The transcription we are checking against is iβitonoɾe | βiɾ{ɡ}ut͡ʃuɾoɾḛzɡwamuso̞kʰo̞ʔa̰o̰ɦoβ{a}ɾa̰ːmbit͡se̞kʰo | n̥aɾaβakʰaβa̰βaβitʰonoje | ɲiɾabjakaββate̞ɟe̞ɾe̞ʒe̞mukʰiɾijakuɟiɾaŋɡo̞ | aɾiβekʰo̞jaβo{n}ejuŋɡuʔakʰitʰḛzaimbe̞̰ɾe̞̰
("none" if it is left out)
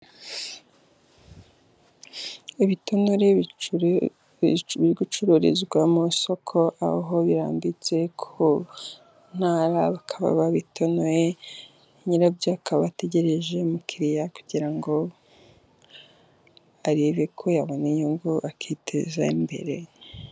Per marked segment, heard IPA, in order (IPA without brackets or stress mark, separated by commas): ɡ, i, n